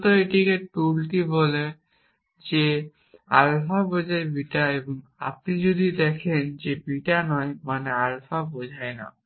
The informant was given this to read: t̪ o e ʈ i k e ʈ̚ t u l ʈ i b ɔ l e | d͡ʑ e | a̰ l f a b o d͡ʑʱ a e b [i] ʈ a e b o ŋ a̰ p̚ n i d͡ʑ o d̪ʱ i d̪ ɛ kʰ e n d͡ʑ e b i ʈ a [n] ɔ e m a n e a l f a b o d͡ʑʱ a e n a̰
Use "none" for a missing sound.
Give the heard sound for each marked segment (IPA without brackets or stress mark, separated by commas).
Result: i, n